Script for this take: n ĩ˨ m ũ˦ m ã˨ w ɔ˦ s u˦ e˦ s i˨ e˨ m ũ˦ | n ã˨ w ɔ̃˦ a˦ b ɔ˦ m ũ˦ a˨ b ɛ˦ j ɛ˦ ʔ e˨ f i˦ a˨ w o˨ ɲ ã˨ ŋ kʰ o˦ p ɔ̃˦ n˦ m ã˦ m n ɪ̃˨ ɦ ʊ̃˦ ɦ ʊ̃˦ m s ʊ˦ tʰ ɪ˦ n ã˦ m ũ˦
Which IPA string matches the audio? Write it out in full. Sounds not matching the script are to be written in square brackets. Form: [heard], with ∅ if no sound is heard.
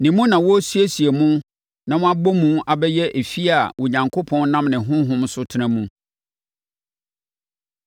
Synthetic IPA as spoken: n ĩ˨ m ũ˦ [n] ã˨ w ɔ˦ s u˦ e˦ s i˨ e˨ m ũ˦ | n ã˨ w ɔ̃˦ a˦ b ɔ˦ m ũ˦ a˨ b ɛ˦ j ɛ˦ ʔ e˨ f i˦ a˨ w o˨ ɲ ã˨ ŋ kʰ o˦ [pʰ] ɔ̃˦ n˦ [n] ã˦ m n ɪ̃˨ ɦ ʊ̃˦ ɦ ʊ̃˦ m s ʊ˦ tʰ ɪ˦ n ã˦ m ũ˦

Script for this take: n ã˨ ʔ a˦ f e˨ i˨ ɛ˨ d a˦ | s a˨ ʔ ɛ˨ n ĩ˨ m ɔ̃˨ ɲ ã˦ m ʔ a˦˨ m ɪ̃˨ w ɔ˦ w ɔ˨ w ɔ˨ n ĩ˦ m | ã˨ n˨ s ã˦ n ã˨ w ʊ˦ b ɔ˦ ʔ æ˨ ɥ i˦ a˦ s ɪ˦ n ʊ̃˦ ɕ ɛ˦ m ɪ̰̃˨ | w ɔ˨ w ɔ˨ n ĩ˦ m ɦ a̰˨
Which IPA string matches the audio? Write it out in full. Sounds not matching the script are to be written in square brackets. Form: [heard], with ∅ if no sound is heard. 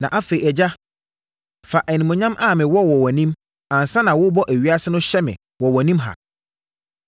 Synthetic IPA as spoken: n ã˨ ʔ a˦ f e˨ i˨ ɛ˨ [d͡ʑ] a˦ | [f] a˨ ʔ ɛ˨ n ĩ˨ m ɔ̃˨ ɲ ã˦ m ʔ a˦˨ m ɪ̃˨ w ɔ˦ w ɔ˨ w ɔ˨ n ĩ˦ m | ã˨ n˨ s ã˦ n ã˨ w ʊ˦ b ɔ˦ ʔ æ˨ ɥ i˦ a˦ s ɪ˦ n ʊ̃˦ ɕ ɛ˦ m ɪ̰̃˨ | w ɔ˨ w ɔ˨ n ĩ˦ m ɦ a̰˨

